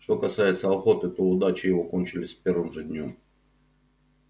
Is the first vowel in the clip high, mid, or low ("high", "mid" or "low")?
mid